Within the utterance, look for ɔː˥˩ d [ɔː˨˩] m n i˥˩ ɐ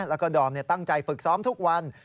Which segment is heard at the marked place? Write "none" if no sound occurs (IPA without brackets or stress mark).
ɔː˨˩